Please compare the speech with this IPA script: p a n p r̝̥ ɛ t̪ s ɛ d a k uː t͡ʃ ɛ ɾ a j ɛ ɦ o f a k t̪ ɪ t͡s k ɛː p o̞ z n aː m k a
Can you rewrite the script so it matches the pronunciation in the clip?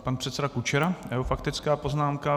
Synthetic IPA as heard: p a n p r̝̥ ɛ t̪ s ɛ d a k u t͡ʃ ɛ ɾ a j ɛ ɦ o f a k t̪ ɪ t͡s k aː p o̞ z n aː m k a